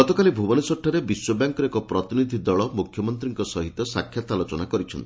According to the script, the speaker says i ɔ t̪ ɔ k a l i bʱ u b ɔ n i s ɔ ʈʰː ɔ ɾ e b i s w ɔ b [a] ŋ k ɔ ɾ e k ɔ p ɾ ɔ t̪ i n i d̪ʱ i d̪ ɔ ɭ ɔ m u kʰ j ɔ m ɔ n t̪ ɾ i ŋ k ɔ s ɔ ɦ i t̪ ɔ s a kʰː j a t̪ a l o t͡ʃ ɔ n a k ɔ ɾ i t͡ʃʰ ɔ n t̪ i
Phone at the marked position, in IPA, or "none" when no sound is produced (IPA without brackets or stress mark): a